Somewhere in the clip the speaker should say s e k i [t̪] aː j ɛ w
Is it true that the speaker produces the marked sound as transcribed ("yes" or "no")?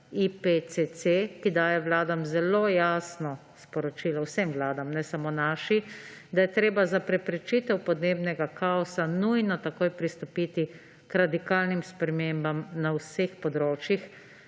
no